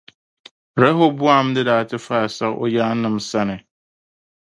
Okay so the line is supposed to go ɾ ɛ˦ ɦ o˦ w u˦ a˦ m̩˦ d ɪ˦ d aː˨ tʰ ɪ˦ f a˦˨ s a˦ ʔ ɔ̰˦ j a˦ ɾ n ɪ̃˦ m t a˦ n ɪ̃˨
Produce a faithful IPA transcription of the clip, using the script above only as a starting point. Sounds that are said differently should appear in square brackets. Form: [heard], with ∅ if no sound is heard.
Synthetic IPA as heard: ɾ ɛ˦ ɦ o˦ [b] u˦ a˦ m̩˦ d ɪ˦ d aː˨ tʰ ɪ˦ f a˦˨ s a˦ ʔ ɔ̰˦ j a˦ [∅] n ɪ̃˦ m [s] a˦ n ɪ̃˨